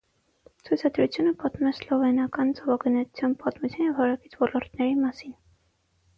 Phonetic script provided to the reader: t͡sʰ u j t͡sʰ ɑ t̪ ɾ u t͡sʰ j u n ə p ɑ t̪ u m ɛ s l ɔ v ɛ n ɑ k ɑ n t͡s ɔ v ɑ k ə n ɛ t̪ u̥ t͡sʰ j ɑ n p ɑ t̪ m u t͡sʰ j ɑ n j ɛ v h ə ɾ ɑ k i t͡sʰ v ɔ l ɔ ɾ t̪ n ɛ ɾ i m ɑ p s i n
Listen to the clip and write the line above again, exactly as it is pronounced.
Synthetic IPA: t͡sʰ u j t͡sʰ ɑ d̪ ɾ u t͡sʰ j u n ə p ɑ t̪ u m ɛ s l ɔ v ɛ n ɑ k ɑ n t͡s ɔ v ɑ ɡ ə n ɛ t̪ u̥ t͡sʰ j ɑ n p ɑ t̪ m u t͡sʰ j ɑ n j ɛ v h ɑ ɾ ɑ k i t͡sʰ v ɔ l ɔ ɾ t̪ n ɛ ɾ i m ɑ s i n